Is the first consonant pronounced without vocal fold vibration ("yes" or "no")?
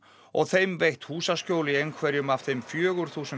no